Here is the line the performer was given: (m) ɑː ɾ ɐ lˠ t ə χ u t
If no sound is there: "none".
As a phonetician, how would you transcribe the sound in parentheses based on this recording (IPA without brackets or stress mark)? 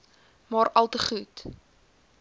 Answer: m